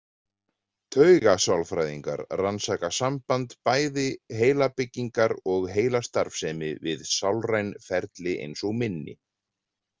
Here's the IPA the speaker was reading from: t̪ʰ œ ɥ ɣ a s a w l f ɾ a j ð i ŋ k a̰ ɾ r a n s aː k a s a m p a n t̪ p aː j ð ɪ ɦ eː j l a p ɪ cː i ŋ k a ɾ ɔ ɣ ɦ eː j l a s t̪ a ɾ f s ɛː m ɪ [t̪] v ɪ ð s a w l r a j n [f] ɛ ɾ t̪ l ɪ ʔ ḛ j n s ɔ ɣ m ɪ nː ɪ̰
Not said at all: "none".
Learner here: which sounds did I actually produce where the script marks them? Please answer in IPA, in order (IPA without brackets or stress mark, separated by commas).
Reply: none, f